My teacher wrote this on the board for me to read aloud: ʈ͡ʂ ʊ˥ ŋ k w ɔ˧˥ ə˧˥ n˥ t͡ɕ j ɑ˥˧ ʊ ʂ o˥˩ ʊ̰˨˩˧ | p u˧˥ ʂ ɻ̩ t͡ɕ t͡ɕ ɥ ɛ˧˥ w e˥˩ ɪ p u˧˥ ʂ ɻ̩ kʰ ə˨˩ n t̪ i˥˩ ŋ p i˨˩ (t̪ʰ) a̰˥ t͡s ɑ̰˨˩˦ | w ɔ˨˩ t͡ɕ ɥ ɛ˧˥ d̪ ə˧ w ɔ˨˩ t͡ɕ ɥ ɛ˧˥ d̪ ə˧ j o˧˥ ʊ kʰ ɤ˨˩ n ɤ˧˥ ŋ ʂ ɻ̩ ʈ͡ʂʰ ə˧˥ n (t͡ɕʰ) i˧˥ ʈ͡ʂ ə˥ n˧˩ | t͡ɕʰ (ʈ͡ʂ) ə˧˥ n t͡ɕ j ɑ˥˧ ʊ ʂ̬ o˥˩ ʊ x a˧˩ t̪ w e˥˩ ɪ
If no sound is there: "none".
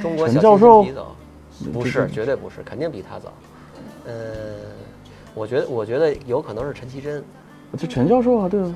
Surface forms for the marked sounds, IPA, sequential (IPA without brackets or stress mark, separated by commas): t̪ʰ, t͡ɕʰ, ʈ͡ʂʰ